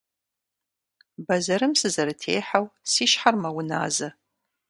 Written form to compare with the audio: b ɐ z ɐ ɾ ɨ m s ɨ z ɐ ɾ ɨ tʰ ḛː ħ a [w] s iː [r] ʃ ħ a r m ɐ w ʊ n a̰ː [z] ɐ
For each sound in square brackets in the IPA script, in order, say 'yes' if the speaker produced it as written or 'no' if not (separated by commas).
yes, no, yes